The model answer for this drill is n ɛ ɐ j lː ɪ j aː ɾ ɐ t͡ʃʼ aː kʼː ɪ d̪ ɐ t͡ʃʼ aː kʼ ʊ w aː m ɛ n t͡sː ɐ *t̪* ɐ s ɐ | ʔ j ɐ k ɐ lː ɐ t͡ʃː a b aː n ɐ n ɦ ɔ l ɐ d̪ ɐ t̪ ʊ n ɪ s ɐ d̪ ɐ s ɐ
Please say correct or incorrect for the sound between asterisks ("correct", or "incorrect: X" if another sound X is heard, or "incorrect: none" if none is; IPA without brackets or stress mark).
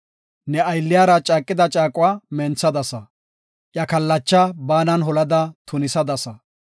incorrect: d̪